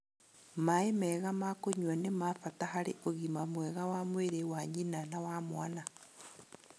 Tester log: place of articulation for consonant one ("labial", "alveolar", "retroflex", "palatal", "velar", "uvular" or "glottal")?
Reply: labial